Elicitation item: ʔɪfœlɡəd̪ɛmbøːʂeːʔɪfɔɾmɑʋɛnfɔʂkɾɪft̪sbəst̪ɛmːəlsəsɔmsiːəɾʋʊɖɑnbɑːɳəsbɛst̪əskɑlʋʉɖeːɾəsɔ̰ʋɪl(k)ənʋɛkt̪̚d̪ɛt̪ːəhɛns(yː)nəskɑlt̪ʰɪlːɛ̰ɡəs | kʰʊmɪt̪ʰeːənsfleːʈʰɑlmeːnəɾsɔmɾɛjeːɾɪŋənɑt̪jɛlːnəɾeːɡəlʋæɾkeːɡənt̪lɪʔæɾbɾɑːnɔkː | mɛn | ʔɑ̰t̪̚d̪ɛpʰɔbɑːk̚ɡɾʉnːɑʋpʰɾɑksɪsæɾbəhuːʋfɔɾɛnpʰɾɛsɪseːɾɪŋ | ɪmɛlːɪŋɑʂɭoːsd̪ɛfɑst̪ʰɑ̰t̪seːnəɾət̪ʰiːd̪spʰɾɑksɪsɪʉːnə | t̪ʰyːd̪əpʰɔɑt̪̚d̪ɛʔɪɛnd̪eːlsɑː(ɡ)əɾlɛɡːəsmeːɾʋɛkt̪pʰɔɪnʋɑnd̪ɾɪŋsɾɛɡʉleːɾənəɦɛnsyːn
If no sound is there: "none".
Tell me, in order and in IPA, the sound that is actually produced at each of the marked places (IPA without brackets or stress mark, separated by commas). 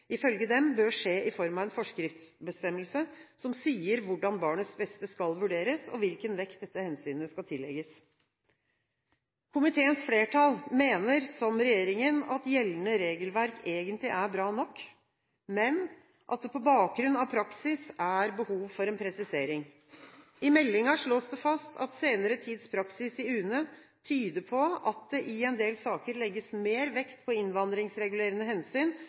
k, yː, k